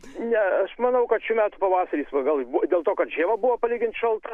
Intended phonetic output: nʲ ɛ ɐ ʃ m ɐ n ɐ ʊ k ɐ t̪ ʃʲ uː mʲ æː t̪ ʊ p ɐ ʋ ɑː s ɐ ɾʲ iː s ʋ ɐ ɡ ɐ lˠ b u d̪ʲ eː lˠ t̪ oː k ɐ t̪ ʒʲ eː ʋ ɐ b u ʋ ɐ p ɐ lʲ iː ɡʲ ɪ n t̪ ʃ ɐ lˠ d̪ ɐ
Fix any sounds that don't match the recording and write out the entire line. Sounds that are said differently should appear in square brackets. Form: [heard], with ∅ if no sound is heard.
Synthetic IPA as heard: nʲ ɛ ɐ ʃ m ɐ n ɐ ʊ k ɐ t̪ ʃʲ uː mʲ æː t̪ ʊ p ɐ ʋ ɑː s ɐ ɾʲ iː s ʋ ɐ ɡ ɐ lˠ b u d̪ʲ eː lˠ t̪ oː k ɐ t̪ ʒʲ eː ʋ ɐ b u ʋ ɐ p ɐ lʲ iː ɡʲ ɪ n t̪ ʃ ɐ lˠ [t̪] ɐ